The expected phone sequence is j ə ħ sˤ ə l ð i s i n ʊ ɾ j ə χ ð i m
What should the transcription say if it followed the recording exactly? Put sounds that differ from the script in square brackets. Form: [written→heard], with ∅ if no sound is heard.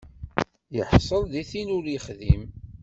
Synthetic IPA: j ə ħ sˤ ə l ð i [s→θ] i n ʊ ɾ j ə χ ð i m

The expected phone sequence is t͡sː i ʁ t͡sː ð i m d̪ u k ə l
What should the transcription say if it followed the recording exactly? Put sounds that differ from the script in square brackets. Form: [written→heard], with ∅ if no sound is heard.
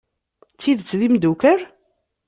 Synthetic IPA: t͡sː i [ʁ→ð] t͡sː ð i m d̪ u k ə [l→ɾ]

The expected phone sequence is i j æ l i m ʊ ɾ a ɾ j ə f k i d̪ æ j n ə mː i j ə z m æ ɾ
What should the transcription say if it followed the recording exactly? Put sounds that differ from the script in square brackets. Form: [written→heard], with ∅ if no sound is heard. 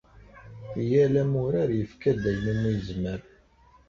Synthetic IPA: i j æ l [i→æ] m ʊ ɾ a ɾ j ə f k [i→æ] d̪ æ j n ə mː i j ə z m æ ɾ

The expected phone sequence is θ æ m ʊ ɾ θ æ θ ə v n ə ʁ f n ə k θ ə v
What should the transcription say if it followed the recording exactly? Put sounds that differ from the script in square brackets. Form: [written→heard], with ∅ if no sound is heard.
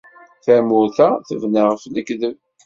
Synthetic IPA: θ æ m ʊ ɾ θ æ θ ə v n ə ʁ f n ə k [θ→ð] ə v

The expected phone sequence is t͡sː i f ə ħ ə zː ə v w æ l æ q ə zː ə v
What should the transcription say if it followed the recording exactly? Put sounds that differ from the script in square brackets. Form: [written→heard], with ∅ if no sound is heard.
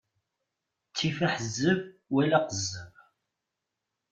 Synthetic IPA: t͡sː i f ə ħ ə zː ə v w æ l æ q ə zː ə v

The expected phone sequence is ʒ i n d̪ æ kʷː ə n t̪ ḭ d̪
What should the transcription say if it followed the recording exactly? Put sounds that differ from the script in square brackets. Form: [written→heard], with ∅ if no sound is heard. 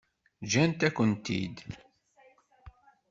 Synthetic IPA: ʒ [i→æ] n [d̪→t̪] æ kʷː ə n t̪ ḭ d̪

